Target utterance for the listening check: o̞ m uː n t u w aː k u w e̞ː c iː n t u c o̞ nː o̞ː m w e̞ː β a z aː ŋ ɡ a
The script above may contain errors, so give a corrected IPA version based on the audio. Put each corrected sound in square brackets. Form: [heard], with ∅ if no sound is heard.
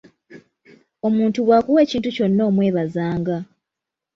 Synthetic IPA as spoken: o̞ m uː n t u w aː k u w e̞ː c iː n t u c o̞ nː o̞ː m w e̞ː β a z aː ŋ ɡ a